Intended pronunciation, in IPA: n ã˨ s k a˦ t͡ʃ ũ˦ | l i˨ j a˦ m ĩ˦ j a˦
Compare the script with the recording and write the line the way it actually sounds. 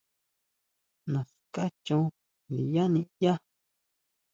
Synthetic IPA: n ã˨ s k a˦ t͡ʃ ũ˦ | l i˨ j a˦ n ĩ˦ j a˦